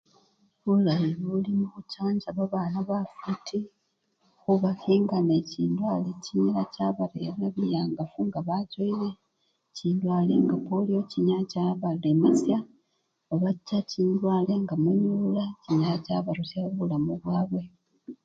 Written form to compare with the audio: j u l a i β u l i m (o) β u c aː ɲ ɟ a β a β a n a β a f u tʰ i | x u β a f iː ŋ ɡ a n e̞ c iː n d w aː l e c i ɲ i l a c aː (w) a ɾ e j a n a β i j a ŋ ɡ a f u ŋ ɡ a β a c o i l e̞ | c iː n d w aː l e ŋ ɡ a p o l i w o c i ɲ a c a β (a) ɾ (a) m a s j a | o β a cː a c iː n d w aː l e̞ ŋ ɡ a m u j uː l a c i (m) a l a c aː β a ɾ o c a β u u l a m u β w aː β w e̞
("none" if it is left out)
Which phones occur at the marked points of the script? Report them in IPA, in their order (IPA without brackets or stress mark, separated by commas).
u, β, a, e, ɲ